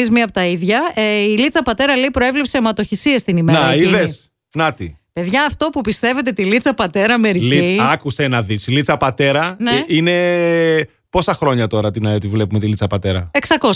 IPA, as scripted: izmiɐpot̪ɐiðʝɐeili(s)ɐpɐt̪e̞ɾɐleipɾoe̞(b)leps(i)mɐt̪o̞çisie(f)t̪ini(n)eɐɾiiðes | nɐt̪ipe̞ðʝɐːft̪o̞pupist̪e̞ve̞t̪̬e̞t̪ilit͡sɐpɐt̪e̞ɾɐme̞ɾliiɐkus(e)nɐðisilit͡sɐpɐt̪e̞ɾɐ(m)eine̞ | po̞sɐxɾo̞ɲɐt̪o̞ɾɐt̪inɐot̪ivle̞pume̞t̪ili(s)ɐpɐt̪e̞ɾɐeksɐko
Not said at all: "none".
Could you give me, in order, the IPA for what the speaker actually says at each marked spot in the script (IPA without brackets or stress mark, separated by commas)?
t͡s, v, e, s, m, e, n, t͡s